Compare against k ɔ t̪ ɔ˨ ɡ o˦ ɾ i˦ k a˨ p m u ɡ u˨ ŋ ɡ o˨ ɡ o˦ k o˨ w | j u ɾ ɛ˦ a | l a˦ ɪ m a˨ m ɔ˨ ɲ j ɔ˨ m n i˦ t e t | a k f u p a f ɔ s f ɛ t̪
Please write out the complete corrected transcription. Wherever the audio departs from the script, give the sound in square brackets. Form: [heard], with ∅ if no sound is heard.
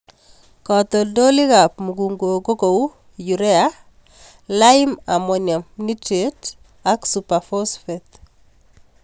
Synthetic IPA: k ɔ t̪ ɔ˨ [d] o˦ [l] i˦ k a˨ p m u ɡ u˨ ŋ ɡ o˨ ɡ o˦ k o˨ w | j u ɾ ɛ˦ a | l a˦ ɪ m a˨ m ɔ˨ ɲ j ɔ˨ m n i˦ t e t | a k [s] u p a f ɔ s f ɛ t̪